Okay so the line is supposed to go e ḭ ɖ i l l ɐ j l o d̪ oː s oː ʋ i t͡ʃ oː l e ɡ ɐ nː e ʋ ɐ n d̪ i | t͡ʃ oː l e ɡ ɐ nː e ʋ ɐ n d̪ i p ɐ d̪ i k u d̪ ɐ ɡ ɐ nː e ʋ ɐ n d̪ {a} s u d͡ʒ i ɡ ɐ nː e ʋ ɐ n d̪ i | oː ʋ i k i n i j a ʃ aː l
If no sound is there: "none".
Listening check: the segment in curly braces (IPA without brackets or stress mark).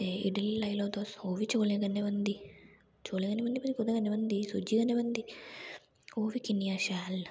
i